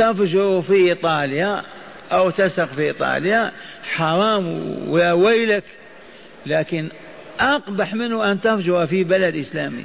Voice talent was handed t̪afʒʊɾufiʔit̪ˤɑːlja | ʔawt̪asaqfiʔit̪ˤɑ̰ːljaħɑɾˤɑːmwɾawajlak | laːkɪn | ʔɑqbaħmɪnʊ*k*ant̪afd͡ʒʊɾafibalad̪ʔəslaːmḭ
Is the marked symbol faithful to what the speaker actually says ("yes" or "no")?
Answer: no